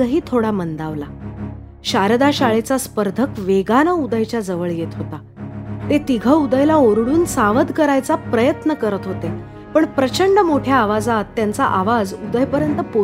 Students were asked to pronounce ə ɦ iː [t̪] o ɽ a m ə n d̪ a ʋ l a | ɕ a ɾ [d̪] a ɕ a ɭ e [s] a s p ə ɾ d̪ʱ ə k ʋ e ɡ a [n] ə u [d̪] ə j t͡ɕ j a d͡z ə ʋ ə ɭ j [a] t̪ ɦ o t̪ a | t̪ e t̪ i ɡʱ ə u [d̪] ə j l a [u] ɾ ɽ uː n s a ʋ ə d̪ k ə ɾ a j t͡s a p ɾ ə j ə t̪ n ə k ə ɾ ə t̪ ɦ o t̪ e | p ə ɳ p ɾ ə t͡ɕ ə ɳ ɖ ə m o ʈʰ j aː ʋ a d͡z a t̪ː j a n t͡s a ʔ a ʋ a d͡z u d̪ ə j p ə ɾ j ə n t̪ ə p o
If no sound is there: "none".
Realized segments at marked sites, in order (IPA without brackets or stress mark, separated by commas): t̪ʰ, d̪, t͡s, n, d̪, e, d̪, o